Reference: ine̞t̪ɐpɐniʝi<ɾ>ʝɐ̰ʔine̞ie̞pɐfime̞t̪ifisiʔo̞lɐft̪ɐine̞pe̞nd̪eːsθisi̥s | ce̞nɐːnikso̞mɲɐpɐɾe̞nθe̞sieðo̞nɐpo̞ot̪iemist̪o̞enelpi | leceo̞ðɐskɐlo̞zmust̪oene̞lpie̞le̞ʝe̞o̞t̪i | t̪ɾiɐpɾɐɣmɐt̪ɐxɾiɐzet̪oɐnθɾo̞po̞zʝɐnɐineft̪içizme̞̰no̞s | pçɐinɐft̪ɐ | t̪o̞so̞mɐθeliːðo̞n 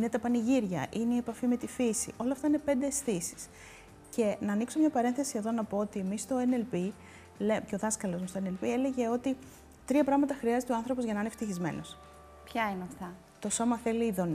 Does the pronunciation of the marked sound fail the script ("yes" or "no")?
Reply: no